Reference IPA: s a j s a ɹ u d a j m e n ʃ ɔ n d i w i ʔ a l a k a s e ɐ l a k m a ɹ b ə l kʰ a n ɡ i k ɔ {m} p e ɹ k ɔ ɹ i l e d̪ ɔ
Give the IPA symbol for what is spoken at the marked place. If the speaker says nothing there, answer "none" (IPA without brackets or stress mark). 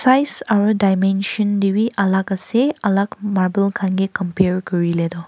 m